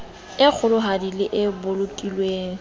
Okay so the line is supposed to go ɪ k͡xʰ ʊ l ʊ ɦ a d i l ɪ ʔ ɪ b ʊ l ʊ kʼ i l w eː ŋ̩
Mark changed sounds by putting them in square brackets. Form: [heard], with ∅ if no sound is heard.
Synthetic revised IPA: ɪ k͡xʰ ʊ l ʊ ɦ a d i l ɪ ʔ ɪ b ʊ l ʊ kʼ i l w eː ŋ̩